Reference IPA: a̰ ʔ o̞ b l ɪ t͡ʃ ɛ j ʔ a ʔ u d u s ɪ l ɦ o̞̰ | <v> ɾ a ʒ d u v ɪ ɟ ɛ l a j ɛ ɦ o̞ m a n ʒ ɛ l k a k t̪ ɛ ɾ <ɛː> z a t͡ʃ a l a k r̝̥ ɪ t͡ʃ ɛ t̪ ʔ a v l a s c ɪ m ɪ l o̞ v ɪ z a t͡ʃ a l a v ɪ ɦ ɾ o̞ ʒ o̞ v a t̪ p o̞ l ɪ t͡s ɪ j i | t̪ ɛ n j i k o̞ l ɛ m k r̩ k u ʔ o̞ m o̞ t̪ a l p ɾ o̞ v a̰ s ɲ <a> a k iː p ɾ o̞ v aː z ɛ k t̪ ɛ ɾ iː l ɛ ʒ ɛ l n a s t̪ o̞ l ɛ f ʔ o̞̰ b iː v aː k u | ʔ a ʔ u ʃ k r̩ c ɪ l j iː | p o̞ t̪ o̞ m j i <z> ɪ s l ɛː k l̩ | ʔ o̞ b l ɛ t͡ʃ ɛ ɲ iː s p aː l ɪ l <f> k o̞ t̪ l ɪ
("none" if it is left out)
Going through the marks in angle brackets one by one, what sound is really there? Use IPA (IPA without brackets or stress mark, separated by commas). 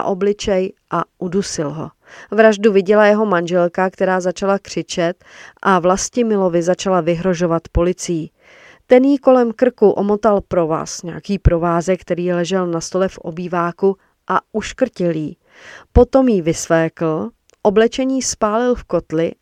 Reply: v, aː, ɛ, v, f